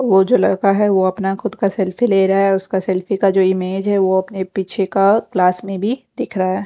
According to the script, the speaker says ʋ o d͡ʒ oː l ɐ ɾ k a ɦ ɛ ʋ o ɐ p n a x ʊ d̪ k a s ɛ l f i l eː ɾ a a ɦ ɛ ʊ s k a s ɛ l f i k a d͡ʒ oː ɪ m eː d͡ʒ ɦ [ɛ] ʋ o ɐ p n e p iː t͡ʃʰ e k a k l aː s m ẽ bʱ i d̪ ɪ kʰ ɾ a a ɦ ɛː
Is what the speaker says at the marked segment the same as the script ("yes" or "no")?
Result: yes